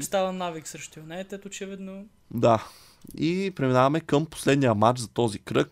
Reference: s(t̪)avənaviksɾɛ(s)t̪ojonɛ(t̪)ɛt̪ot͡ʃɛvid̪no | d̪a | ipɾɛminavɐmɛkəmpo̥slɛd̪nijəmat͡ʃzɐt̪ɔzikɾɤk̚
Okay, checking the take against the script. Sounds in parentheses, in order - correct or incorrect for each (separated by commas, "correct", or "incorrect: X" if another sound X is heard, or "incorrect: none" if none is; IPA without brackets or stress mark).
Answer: correct, incorrect: ʃ, correct